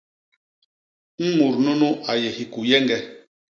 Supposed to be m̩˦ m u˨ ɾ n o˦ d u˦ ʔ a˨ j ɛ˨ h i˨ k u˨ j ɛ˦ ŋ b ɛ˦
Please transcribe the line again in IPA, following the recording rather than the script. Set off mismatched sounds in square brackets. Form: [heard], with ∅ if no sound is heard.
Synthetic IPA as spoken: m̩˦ m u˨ ɾ n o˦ [n] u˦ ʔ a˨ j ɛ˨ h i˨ k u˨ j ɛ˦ ŋ [ɡ] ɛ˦